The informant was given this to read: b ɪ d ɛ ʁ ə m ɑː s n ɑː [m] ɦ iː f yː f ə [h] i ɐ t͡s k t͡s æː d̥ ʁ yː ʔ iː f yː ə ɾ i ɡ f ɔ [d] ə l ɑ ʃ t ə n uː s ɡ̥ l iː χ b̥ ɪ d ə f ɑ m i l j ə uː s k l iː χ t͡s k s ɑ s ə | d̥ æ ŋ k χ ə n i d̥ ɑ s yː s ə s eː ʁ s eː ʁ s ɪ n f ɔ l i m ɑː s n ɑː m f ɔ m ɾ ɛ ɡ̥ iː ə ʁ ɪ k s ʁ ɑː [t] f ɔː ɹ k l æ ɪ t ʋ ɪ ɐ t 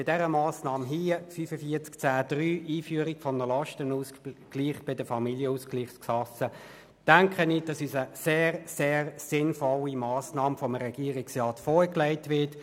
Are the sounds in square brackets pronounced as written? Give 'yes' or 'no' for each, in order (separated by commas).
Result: yes, no, no, yes